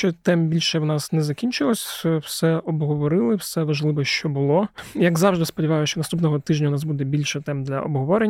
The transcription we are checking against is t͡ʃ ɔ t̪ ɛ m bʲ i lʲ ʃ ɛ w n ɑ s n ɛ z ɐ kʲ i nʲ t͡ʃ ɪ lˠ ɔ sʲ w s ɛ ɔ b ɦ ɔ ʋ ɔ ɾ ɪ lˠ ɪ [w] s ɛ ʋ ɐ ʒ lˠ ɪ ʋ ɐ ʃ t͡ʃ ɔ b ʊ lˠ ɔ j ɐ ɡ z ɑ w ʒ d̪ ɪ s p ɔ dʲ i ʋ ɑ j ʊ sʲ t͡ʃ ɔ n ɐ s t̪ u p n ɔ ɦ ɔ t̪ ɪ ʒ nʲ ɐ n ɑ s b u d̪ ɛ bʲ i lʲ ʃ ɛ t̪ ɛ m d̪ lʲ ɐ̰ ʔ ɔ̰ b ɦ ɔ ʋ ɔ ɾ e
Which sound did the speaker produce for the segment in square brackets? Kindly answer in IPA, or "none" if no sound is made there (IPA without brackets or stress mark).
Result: w